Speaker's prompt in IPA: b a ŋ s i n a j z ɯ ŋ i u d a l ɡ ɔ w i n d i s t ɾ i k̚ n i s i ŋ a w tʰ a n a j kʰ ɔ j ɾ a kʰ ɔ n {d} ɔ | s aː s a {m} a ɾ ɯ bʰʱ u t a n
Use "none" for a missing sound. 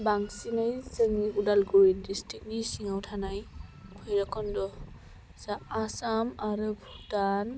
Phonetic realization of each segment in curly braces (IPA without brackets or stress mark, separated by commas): d, m